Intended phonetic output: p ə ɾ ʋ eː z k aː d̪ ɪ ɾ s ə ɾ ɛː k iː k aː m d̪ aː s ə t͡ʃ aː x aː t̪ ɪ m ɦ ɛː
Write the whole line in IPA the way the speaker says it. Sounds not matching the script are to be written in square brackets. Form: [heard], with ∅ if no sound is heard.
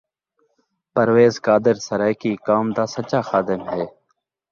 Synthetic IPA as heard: p ə ɾ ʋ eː z k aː d̪ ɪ ɾ s ə ɾ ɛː k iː k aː m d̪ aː s ə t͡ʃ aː x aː [d̪] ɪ m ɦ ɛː